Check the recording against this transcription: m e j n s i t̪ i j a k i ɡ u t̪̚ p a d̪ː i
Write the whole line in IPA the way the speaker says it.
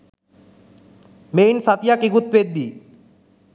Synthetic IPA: m e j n s a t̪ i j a k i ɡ u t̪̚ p e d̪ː i